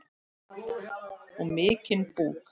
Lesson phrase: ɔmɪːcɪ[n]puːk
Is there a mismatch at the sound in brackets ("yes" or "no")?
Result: no